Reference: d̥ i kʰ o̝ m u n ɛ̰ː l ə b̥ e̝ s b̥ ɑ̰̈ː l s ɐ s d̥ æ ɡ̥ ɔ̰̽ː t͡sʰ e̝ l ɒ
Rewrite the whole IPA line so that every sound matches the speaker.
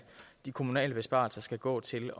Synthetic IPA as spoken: d̥ i kʰ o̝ m u n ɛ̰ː l ə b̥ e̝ s b̥ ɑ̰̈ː l s ɐ s ɡ̥ æ ɡ̥ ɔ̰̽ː t͡sʰ e̝ l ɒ